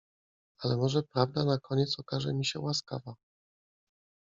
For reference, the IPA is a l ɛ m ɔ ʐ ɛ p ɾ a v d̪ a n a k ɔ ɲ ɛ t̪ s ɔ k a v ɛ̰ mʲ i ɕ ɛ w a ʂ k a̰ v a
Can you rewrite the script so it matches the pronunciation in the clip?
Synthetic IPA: a l ɛ m ɔ ʐ ɛ p ɾ a v d̪ a n a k ɔ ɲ ɛ t̪ s ɔ k a ʐ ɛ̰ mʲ i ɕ ɛ w a s k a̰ v a